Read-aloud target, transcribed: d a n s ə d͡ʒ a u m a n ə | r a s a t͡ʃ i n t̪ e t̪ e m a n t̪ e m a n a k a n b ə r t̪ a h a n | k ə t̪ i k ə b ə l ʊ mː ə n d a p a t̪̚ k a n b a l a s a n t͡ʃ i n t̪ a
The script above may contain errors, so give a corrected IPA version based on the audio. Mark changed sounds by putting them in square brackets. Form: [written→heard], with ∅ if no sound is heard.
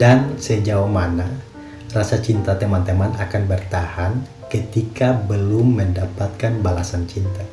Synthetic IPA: d a n s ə d͡ʒ a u m a n [ə→a] | r a s a t͡ʃ i n t̪ [e→a] t̪ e m a n t̪ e m a n a k a n b ə r t̪ a h a n | k ə t̪ i k [ə→a] b ə l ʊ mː ə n d a p a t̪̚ k a n b a l a s a n t͡ʃ i n t̪ a